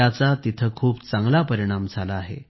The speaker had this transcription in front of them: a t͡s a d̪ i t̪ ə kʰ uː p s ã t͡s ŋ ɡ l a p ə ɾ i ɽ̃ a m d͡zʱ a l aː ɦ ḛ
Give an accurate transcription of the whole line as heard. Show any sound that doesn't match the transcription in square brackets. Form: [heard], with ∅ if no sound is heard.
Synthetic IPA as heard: a t͡s a [t̪] i [t̪ʰ] ə kʰ uː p [t͡s] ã [∅] ŋ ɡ l a p ə ɾ i ɽ̃ a m d͡zʱ a l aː ɦ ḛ